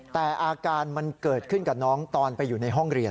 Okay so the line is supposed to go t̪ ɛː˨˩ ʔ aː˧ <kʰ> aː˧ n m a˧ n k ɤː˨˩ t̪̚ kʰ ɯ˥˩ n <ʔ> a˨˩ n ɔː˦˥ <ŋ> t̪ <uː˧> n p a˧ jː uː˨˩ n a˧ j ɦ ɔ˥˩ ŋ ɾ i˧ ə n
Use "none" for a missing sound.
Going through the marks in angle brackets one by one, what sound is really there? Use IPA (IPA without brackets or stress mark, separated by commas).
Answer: k, k, ŋ, ɔː˧